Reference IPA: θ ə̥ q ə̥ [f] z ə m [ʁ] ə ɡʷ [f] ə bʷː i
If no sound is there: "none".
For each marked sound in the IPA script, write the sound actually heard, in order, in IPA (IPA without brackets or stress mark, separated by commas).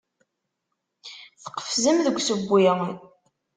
f, ð, s